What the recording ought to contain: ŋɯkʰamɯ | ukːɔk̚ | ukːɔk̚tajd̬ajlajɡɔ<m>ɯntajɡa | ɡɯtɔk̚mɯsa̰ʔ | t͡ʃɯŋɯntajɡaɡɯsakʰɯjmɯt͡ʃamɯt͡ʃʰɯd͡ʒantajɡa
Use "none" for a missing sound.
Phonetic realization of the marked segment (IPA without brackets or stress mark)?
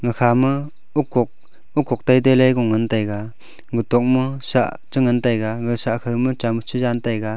ŋ